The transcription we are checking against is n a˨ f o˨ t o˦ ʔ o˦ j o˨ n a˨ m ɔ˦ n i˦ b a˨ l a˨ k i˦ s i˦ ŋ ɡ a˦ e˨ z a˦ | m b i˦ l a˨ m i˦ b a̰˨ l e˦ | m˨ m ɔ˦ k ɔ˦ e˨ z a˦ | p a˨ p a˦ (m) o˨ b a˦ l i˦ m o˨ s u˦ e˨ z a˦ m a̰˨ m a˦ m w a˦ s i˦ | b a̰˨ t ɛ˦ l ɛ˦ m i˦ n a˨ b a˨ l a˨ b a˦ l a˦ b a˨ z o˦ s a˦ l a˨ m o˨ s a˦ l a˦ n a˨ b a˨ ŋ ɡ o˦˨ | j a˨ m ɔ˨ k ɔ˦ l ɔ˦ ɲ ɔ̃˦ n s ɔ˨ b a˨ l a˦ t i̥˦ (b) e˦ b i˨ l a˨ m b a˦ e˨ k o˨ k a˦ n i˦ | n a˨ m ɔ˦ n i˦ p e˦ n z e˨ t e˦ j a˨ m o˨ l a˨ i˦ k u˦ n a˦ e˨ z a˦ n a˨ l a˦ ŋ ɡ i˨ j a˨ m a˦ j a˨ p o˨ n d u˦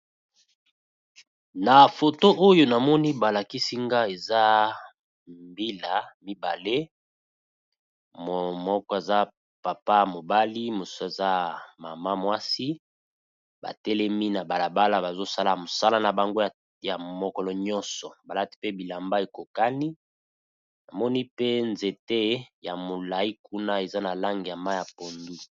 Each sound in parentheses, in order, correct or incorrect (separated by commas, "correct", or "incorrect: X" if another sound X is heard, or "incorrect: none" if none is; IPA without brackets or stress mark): correct, incorrect: p